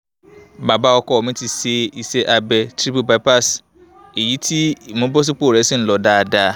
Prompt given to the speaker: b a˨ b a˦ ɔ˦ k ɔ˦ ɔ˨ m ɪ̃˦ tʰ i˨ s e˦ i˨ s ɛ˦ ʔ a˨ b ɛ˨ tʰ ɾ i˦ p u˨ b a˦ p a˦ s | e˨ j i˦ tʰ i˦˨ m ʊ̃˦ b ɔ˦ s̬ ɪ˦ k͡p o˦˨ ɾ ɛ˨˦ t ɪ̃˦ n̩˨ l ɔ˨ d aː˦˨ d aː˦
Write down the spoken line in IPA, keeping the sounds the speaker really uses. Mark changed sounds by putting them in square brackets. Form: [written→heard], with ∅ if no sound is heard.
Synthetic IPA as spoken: b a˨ b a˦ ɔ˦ k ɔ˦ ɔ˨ m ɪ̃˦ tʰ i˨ s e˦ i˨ s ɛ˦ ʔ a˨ b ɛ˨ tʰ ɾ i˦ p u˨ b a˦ p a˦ s | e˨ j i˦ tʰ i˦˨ m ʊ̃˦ b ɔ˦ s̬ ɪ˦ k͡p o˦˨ ɾ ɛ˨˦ [t→s] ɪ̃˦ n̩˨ l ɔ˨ d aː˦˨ d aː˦

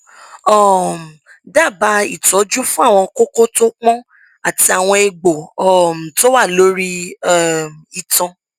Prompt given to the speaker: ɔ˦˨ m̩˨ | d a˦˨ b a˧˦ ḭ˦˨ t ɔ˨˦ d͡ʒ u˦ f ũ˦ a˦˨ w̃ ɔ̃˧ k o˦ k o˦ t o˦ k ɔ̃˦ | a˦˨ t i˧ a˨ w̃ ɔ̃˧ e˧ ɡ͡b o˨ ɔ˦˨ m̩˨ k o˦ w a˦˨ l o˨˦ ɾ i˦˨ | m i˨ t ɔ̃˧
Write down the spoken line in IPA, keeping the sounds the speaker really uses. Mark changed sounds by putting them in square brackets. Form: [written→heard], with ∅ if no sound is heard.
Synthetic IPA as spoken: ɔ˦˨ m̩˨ | d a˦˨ b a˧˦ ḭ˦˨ t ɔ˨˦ d͡ʒ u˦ f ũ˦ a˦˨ w̃ ɔ̃˧ k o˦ k o˦ t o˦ [k→k͡p] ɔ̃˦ | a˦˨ t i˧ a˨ w̃ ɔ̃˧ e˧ ɡ͡b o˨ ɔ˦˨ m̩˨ [k→t] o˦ w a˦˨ l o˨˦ ɾ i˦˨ | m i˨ t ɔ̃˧

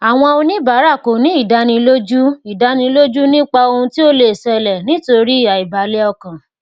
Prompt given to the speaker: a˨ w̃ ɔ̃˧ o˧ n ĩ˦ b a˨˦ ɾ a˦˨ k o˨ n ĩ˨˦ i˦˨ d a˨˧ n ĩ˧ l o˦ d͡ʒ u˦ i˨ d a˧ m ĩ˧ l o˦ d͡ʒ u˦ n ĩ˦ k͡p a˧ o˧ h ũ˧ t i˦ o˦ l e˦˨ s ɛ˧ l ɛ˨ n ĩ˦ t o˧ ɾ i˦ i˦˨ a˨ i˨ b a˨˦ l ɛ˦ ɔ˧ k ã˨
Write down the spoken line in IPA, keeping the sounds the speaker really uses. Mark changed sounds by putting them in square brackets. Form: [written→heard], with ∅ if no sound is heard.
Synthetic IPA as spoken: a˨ w̃ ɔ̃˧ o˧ n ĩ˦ b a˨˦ ɾ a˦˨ k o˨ n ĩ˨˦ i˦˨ d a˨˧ n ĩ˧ l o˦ d͡ʒ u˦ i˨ d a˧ [m→n] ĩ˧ l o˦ d͡ʒ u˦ n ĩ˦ k͡p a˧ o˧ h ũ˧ t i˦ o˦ l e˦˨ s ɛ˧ l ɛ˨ n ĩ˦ t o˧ ɾ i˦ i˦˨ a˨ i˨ b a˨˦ l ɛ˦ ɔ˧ k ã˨

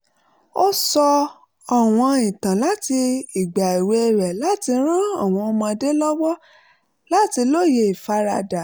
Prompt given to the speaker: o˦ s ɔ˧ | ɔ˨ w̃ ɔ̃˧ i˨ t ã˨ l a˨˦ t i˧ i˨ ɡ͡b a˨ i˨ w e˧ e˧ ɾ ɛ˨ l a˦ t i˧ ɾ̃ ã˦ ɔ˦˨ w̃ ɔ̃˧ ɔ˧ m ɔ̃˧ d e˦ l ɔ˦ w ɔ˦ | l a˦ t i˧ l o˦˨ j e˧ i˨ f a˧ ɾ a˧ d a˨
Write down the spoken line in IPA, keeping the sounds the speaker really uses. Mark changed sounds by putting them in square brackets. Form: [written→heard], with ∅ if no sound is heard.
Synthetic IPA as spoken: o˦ s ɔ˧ | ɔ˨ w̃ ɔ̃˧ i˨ t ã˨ l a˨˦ t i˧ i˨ ɡ͡b a˨ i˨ w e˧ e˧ ɾ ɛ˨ l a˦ t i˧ ɾ̃ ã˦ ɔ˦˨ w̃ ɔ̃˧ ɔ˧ m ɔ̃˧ d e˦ l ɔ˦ w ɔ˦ | l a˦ t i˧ l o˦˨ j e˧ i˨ f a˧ ɾ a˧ d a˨

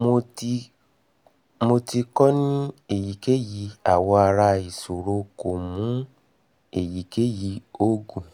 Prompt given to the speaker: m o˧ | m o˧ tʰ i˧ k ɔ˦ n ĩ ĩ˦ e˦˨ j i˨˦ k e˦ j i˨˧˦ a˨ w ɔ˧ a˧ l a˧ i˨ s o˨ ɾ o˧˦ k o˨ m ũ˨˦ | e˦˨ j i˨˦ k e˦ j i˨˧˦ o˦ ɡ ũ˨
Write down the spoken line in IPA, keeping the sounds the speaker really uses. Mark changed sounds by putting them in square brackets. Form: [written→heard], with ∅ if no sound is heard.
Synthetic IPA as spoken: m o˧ | m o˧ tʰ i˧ k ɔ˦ n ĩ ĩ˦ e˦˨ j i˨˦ k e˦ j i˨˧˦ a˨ w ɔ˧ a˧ [l→ɾ] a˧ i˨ s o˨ ɾ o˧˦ k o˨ m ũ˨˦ | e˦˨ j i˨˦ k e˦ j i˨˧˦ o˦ ɡ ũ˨

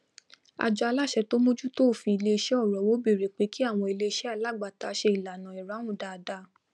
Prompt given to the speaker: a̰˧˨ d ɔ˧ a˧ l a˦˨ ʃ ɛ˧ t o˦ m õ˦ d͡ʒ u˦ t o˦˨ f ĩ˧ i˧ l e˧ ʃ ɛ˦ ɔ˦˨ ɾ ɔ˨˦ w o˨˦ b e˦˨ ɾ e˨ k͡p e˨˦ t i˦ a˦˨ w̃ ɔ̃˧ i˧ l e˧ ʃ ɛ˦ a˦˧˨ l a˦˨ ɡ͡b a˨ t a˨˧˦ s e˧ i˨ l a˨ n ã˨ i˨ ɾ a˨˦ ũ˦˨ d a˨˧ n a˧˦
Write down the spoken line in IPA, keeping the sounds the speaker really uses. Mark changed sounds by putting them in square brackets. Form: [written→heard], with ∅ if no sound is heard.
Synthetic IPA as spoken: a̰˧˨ [d→d͡ʒ] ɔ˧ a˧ l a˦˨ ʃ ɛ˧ t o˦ m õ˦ d͡ʒ u˦ t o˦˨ f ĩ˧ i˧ l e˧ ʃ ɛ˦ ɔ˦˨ ɾ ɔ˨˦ w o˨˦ b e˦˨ ɾ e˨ k͡p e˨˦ [t→k] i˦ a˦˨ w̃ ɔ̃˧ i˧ l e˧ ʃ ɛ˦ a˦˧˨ l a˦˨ ɡ͡b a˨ t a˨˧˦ [s→ʃ] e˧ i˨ l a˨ n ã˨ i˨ ɾ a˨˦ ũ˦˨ d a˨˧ [n→d] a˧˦

